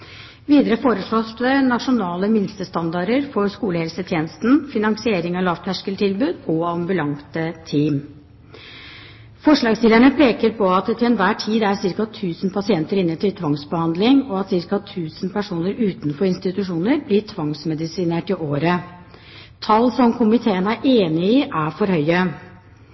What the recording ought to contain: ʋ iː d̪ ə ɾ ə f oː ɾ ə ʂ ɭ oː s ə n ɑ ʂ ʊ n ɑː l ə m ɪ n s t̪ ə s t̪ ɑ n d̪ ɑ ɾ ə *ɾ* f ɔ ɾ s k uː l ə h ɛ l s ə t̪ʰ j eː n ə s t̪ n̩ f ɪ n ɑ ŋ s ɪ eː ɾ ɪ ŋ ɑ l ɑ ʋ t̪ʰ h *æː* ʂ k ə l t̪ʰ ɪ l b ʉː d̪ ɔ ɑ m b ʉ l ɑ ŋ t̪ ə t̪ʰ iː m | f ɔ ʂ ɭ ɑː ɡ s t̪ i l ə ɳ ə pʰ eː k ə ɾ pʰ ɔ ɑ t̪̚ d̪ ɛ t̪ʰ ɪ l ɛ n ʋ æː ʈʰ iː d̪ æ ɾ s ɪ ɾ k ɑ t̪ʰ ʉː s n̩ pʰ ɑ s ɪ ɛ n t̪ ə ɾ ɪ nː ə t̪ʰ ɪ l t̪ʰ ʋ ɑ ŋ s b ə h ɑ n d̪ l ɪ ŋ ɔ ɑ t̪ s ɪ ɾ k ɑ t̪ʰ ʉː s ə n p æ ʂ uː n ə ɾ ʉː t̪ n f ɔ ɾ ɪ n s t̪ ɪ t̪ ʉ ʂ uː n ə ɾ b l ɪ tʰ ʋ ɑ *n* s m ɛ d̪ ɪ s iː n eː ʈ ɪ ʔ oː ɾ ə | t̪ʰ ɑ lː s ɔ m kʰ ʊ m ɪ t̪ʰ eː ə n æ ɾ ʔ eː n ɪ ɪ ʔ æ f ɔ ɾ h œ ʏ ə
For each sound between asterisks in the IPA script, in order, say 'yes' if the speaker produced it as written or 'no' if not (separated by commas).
yes, no, no